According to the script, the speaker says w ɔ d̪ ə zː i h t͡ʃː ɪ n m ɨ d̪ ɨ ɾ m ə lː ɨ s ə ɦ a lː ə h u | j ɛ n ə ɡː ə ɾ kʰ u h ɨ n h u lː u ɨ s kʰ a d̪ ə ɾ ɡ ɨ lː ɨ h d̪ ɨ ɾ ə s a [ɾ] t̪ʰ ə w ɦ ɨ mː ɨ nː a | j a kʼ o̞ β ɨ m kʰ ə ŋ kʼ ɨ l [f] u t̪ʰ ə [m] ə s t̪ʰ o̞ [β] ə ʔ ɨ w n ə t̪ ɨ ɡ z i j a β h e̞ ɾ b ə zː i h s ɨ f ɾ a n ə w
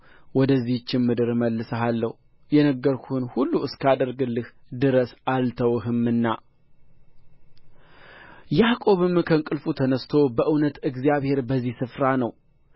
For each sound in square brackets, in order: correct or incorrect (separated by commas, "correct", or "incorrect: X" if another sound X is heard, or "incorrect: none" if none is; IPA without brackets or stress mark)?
incorrect: l, correct, incorrect: n, incorrect: b